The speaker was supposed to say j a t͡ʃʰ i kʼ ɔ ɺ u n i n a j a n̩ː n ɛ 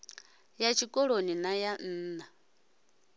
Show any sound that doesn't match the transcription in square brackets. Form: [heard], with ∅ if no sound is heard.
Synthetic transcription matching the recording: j a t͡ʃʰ i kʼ ɔ ɺ [o] n i n a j a n̩ː n [a]

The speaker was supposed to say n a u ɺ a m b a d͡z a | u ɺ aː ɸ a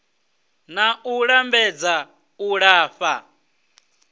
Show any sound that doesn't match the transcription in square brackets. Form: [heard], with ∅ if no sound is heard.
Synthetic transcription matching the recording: n a u ɺ a m b [ɛ] d͡z a | u ɺ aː ɸ a

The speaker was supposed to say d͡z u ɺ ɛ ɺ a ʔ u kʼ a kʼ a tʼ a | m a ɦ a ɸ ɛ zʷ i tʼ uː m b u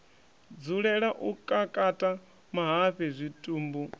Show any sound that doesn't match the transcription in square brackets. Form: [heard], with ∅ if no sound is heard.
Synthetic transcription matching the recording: d͡z u ɺ ɛ ɺ a ʔ u kʼ a kʼ a tʼ a | m a ɦ a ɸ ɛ zʷ i tʼ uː m b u

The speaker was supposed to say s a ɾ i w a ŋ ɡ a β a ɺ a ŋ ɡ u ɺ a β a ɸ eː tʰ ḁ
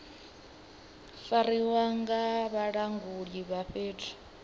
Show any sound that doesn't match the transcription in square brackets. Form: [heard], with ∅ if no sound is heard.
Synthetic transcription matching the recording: [f] a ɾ i w a ŋ ɡ a β a ɺ a ŋ ɡ u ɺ [i] β a ɸ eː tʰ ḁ

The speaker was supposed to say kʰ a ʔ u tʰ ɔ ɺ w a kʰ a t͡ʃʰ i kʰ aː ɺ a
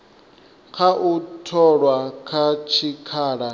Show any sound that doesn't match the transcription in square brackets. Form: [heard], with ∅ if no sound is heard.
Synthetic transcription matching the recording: kʰ a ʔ u tʰ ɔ ɺ w a kʰ a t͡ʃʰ i kʰ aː ɺ a

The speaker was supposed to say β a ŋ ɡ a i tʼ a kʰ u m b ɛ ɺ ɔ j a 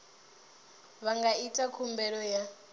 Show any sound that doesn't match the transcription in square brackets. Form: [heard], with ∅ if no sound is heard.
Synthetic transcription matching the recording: β a ŋ ɡ a i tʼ a kʰ u m b ɛ ɺ ɔ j a

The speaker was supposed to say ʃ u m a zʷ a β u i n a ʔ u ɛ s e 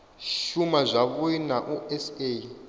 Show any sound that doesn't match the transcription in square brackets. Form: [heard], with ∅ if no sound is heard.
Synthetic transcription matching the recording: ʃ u m a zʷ a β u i n a ʔ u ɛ s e

